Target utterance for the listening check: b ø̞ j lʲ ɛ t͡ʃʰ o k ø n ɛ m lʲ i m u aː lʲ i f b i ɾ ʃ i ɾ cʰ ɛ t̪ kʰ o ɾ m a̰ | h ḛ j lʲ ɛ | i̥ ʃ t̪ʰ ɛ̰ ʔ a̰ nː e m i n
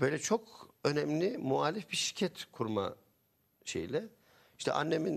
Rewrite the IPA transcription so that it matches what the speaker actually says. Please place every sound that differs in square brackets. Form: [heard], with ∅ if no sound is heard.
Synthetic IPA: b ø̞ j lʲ ɛ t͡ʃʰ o k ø n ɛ m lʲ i m u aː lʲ i f b i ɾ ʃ i ɾ cʰ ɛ t̪ kʰ [u] ɾ m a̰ | [ʃ] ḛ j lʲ ɛ | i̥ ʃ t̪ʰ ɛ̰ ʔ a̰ nː e m i n